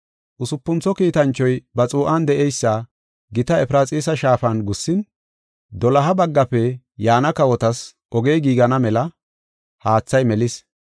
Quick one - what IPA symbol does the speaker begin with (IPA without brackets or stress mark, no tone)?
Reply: ʔ